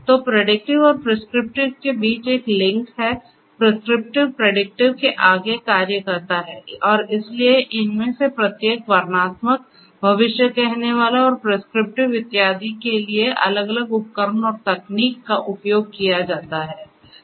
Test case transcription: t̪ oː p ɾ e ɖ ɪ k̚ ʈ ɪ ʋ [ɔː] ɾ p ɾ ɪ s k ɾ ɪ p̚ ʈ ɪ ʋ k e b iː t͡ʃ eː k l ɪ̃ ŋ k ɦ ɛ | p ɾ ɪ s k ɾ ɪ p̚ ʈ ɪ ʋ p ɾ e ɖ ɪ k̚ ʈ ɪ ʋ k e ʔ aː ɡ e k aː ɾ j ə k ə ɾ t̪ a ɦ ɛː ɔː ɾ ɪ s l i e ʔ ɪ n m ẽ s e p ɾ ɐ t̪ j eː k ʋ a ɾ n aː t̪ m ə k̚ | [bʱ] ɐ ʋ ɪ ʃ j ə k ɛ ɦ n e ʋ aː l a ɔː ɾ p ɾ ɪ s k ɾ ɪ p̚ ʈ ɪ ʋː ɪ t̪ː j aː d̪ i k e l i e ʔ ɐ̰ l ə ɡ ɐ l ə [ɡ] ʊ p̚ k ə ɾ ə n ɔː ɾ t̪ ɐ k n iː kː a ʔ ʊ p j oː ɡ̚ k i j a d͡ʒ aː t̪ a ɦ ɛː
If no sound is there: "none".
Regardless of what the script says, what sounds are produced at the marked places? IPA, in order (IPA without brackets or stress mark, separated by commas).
ɔː, bʱ, ɡ